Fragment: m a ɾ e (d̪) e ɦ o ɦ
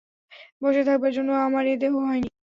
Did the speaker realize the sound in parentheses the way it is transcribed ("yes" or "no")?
yes